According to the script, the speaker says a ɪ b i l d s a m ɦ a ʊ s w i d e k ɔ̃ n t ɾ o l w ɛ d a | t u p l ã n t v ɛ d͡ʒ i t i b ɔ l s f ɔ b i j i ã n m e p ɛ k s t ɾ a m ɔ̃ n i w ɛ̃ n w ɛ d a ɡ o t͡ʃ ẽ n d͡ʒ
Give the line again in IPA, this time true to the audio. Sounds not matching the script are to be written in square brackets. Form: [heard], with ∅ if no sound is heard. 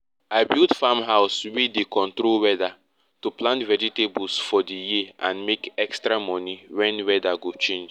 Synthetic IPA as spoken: a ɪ b i l d [f] a m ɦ a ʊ s w i d e k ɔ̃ n t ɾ o l w ɛ d a | t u p l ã n t v ɛ d͡ʒ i t [e] b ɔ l s f ɔ [d] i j i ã n m e [k] ɛ k s t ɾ a m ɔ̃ n i w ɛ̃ n w ɛ d a ɡ o t͡ʃ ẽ n d͡ʒ